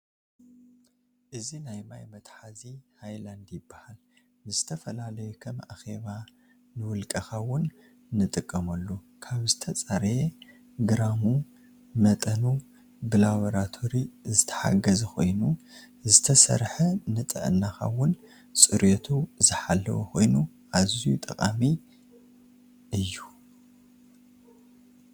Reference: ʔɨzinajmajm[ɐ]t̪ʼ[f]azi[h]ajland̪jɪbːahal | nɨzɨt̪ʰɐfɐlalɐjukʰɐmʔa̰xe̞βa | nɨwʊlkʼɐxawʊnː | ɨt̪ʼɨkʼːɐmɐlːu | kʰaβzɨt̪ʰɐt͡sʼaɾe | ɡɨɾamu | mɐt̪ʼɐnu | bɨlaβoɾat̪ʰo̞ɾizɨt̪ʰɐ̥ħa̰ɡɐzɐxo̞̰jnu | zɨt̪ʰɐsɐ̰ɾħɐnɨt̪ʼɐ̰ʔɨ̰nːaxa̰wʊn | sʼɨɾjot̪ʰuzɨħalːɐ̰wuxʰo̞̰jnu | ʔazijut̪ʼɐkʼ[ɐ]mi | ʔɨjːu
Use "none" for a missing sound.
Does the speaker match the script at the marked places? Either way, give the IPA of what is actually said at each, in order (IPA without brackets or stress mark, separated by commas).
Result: ɐ, ħ, h, a